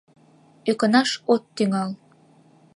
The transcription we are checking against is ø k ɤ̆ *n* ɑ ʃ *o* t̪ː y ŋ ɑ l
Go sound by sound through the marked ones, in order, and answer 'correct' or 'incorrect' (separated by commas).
correct, correct